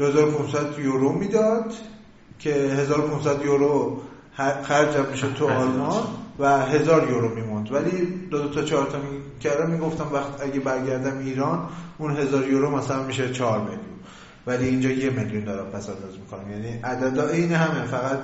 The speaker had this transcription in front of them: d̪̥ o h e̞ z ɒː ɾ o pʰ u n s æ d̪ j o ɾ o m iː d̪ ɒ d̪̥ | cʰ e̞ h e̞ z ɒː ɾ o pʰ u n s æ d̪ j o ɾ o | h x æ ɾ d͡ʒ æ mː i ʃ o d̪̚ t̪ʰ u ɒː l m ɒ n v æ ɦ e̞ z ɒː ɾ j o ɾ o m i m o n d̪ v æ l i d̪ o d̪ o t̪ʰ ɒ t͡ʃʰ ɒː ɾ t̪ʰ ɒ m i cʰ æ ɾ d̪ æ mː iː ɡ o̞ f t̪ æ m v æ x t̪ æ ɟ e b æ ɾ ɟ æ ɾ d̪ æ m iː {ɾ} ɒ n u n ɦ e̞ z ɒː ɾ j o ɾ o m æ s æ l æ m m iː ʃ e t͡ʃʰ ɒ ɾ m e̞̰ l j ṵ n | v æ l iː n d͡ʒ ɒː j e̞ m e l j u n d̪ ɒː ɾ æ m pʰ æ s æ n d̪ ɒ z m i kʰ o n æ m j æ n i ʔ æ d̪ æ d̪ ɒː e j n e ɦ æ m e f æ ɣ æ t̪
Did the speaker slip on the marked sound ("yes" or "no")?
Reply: no